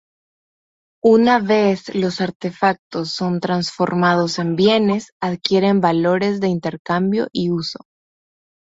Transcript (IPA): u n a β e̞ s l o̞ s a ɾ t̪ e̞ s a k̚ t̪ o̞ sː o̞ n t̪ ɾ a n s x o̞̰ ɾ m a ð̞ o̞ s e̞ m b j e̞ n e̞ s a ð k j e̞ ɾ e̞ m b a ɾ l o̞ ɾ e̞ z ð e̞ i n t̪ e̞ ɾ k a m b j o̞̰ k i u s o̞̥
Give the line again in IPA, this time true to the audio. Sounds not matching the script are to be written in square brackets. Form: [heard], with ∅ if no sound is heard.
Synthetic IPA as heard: u n a β e̞ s l o̞ s a ɾ t̪ e̞ [f] a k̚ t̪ o̞ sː o̞ n t̪ ɾ a n s [f] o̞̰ ɾ m a ð̞ o̞ s e̞ m b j e̞ n e̞ s a ð k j e̞ ɾ e̞ m b a [∅] l o̞ ɾ e̞ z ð e̞ i n t̪ e̞ ɾ k a m b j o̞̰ [ʔ] i u s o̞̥